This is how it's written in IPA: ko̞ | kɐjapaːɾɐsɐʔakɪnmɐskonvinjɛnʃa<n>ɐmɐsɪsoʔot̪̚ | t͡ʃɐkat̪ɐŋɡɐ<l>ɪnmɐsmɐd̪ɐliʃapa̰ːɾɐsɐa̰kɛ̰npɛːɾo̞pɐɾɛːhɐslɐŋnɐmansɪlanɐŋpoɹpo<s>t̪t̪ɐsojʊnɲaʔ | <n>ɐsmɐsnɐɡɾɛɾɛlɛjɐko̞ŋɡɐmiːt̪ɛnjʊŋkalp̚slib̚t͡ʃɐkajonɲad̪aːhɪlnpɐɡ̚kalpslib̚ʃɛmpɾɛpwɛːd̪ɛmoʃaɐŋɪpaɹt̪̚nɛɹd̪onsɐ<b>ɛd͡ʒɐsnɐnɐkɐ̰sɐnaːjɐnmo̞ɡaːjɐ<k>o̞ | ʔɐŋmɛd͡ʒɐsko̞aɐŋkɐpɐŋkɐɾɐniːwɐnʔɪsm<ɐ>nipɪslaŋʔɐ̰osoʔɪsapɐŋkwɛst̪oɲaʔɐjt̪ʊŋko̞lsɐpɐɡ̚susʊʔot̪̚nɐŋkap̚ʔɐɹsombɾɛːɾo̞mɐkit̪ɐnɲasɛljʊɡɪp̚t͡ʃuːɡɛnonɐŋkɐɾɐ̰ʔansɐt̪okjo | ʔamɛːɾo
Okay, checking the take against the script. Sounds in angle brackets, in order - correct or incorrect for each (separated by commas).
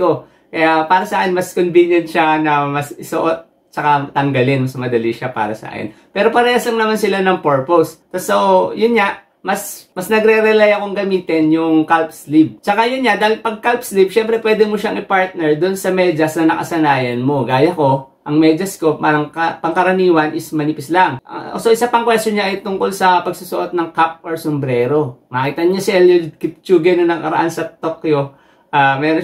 correct, correct, correct, incorrect, incorrect, correct, correct